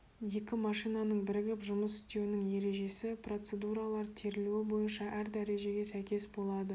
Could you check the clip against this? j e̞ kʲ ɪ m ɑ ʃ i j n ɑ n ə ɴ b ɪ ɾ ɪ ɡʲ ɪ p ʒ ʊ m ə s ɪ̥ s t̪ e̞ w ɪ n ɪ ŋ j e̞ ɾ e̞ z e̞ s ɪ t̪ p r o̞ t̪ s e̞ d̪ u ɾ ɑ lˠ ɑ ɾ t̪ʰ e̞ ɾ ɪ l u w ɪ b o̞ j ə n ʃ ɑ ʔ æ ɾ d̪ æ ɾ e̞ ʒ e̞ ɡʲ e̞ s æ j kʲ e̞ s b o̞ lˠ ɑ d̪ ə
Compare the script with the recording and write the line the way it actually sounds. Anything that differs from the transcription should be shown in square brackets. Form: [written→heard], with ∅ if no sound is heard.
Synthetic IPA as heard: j e̞ kʲ ɪ m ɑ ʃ i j n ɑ n ə ɴ b ɪ ɾ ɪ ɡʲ ɪ p ʒ ʊ m ə s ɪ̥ s t̪ e̞ w ɪ n ɪ ŋ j e̞ ɾ e̞ [z→ʒ] e̞ s ɪ [t̪→∅] p r o̞ t̪ s e̞ d̪ u ɾ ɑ lˠ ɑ ɾ t̪ʰ e̞ ɾ ɪ l u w ɪ b o̞ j ə n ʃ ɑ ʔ æ ɾ d̪ æ ɾ e̞ ʒ e̞ ɡʲ e̞ s æ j kʲ e̞ s b o̞ lˠ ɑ d̪ ə